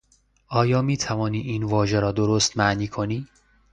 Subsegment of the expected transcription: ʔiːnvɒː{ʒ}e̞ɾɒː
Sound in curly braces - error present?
no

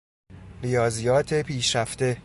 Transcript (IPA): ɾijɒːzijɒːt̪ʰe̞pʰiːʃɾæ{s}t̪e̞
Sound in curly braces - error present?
yes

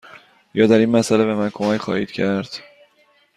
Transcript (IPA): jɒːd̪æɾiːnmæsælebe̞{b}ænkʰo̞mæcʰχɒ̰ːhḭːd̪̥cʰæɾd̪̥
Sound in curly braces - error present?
yes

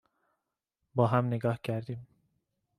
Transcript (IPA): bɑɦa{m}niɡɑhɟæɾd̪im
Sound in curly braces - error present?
no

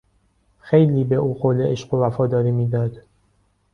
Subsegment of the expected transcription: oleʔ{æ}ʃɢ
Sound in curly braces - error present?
yes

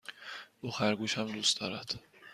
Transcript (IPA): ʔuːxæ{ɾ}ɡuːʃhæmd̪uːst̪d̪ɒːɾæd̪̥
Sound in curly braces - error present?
no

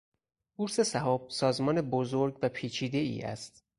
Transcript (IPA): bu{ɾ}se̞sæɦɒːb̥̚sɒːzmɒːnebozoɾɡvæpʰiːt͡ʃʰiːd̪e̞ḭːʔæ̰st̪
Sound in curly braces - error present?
no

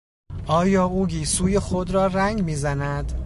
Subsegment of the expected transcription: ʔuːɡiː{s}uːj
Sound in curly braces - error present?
no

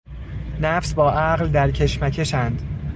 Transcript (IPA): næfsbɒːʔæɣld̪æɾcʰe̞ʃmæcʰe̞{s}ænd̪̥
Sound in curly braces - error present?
yes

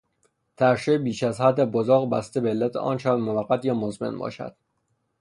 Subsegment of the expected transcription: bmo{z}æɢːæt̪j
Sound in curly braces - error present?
yes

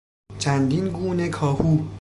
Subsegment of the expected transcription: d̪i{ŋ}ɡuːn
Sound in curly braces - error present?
yes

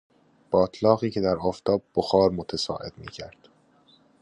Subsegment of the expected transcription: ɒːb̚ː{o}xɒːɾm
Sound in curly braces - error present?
no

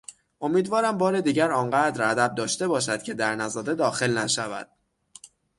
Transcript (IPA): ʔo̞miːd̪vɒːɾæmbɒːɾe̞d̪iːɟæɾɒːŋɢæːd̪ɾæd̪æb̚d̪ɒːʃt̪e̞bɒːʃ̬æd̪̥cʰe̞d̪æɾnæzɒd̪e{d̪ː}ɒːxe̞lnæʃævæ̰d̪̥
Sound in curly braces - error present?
yes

